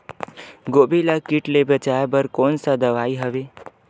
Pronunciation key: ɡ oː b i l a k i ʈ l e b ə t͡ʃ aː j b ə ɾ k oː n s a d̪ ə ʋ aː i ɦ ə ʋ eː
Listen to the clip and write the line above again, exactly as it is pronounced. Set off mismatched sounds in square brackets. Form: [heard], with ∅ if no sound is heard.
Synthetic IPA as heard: ɡ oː b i l a k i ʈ l e b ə t͡ʃ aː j b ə ɾ k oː n s a d̪ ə ʋ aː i ɦ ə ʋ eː